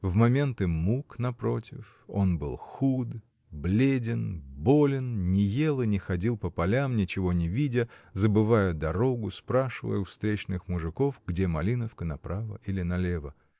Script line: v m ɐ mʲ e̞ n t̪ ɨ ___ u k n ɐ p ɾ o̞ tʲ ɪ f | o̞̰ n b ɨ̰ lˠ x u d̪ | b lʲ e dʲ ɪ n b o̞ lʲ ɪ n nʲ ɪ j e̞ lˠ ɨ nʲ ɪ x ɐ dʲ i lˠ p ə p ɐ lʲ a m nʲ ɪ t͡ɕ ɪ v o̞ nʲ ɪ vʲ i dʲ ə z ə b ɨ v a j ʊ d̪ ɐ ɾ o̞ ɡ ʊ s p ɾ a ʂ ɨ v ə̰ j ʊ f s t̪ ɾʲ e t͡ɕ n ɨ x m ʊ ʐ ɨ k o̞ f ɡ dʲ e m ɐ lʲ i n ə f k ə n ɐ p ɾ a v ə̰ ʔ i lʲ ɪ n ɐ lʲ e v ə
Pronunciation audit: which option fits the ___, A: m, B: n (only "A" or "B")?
A